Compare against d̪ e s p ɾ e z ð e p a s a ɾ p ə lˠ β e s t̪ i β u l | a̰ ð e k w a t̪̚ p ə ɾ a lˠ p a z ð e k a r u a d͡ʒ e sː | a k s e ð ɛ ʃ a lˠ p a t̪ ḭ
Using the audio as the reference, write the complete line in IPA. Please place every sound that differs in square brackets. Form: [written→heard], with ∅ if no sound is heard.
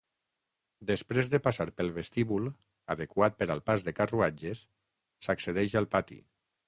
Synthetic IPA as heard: d̪ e s p ɾ e z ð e p a s a ɾ p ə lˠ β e s t̪ i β u l | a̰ ð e k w a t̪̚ p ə ɾ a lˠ p a z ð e k a r u a d͡ʒ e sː | a k s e ð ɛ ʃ a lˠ p a t̪ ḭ